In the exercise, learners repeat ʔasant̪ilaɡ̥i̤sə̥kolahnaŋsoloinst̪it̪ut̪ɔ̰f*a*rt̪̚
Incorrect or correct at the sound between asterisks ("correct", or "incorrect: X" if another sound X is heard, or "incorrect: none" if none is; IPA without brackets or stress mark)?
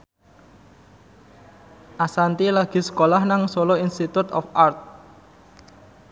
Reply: correct